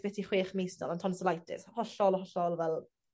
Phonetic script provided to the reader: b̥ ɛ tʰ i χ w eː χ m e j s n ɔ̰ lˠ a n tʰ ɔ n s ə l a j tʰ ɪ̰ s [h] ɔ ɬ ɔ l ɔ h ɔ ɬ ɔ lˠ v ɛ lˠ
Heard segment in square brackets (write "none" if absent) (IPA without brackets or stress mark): h